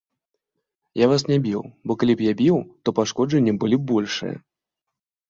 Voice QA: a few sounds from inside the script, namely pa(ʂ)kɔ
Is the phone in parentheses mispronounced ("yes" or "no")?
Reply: no